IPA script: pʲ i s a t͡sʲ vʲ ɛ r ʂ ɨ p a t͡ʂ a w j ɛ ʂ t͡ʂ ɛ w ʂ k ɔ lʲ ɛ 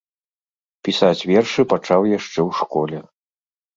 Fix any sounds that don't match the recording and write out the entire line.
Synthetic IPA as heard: pʲ i s a t͡sʲ vʲ ɛ r ʂ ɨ p a t͡ʂ a w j a ʂ t͡ʂ ɛ w ʂ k ɔ lʲ ɛ